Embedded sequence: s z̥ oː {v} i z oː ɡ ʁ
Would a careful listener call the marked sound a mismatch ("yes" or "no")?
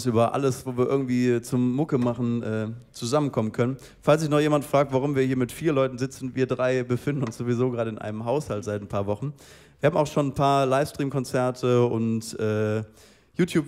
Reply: no